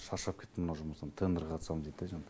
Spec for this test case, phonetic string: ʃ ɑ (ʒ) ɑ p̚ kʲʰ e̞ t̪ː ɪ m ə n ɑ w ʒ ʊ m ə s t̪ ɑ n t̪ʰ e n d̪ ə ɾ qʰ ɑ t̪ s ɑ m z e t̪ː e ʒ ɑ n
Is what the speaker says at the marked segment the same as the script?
no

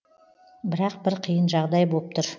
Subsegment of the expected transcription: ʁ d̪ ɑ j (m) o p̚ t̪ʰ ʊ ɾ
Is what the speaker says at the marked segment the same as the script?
no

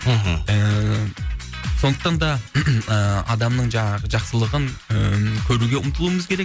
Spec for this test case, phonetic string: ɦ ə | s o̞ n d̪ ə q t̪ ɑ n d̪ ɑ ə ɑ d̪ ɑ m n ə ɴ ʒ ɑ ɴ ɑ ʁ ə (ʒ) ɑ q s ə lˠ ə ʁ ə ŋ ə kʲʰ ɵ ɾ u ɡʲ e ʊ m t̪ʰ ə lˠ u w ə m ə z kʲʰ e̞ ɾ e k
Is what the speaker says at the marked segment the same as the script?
yes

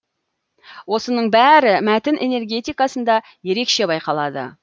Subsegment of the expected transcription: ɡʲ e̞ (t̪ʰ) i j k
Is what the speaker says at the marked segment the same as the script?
no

